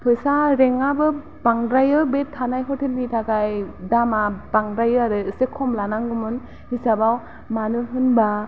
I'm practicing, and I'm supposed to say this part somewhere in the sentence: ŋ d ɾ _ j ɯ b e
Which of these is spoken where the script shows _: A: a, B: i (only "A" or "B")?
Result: A